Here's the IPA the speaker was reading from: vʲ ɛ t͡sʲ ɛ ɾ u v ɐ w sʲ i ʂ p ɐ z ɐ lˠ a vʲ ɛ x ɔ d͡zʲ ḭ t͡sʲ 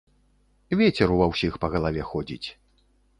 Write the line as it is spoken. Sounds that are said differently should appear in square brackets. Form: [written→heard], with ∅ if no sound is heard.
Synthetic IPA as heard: vʲ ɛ t͡sʲ ɛ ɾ u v ɐ w sʲ i [ʂ→x] p ɐ [z→ɣ] ɐ lˠ a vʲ ɛ x ɔ d͡zʲ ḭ t͡sʲ